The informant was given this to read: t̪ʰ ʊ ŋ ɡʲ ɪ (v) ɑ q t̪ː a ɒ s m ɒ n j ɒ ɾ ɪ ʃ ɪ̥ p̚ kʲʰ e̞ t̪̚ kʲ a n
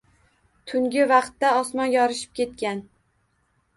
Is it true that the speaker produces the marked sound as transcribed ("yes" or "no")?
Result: yes